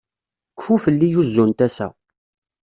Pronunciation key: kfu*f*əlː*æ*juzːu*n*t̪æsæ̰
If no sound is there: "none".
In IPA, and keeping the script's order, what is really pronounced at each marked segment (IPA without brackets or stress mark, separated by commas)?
f, i, n